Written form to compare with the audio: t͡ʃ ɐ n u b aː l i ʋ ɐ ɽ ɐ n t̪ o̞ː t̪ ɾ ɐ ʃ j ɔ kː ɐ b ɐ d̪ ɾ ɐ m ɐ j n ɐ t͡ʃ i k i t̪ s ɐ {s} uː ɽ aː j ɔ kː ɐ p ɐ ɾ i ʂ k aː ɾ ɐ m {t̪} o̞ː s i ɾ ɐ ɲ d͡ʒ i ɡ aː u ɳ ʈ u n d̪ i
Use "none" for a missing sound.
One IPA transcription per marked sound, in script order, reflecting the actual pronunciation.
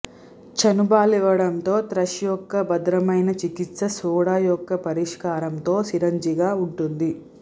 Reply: s, t̪

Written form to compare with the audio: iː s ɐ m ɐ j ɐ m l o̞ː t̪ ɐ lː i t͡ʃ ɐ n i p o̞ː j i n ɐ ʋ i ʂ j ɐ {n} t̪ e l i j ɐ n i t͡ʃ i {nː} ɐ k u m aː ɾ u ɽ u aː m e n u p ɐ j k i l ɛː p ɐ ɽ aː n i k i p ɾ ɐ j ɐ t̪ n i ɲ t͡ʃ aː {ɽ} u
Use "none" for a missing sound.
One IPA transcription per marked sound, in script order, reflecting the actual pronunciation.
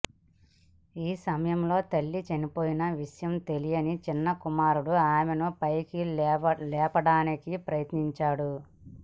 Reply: m, nː, ɽ

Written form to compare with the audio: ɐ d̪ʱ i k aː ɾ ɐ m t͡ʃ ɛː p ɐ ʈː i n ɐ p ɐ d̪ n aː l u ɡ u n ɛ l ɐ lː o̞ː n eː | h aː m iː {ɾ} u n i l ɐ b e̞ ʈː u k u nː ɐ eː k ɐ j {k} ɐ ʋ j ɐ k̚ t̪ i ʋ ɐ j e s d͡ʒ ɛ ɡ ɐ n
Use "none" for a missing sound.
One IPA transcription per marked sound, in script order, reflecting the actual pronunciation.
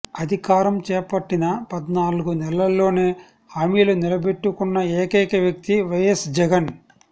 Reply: l, k

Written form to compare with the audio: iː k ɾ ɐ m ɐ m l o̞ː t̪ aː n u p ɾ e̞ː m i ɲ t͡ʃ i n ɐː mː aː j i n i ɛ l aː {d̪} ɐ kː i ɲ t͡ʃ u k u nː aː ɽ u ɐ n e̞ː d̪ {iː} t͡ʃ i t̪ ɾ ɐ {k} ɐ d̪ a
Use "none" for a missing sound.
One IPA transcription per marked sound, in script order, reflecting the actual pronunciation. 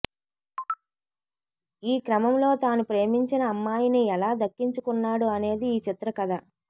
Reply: d̪, iː, k

